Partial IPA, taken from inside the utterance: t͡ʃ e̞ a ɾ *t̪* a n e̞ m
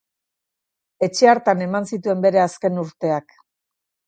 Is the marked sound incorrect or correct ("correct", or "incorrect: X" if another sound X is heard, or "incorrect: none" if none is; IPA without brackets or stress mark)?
correct